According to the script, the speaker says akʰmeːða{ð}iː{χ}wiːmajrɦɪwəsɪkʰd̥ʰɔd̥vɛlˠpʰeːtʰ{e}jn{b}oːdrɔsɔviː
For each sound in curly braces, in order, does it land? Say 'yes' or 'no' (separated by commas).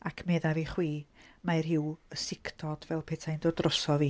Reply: no, yes, no, no